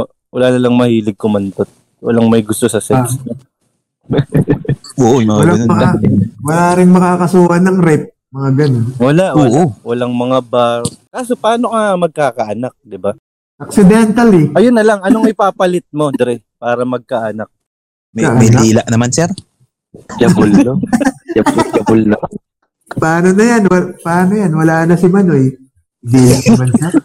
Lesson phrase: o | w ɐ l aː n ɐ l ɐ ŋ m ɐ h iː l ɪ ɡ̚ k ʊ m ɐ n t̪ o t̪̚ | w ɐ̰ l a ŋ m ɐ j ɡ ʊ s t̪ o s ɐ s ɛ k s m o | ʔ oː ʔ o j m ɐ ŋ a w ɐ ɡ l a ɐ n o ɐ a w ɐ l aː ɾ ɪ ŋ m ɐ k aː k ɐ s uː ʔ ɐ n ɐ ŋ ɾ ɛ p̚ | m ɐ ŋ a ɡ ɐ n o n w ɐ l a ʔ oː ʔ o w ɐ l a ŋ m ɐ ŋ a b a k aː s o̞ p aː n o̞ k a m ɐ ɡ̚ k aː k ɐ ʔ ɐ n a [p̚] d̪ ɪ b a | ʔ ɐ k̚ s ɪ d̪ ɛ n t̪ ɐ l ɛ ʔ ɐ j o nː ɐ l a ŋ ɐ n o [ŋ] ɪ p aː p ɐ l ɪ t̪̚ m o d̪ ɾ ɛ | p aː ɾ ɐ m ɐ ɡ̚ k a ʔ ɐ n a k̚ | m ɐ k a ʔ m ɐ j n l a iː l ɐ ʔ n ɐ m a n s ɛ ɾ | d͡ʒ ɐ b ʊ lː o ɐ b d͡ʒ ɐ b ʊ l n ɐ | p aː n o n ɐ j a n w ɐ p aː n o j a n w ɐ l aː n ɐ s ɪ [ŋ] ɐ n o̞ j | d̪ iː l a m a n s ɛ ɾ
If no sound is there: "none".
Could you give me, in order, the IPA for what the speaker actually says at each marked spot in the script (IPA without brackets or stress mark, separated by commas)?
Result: k̚, ŋ, m